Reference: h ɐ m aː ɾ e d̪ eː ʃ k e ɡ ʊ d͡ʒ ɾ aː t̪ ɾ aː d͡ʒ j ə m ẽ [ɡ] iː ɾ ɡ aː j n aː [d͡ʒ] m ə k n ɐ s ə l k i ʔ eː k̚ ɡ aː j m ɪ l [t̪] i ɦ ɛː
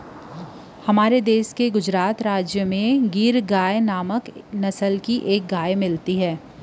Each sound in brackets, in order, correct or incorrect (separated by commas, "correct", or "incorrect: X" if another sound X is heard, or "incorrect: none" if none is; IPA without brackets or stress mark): correct, incorrect: none, correct